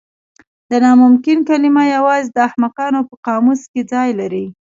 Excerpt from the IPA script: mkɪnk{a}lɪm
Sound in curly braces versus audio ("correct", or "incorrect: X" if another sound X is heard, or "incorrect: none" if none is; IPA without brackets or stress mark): correct